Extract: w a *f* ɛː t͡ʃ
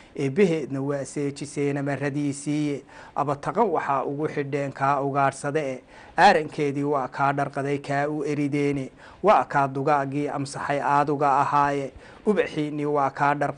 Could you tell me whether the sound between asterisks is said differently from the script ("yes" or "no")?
yes